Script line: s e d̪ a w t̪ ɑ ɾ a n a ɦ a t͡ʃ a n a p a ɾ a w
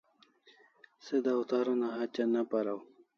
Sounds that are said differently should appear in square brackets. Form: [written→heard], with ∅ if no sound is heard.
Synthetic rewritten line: s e d̪ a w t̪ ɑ ɾ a n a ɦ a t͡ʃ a n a p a ɾ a w

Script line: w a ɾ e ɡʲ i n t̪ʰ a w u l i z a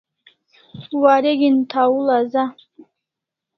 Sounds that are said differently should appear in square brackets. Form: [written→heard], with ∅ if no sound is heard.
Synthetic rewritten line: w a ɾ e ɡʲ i n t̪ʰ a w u l [i→a] z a

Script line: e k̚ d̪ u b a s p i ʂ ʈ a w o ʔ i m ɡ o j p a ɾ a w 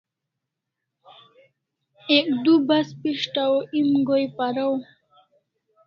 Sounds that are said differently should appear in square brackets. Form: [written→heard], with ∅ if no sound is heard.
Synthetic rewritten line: e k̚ d̪ u b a s p i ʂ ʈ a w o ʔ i m ɡ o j p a ɾ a w

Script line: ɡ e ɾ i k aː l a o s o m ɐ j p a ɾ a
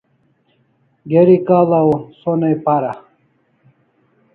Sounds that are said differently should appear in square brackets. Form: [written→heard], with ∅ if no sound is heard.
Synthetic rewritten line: ɡ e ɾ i k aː l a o s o [m→n] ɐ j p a ɾ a

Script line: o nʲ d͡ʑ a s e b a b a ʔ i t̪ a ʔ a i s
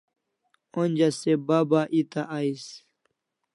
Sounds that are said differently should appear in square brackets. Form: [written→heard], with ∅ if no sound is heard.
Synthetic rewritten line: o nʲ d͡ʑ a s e b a b a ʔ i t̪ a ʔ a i s

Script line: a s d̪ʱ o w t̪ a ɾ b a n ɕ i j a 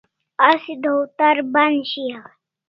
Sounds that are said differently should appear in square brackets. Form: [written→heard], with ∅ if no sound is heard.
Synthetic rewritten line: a s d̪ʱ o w t̪ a ɾ b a n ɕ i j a

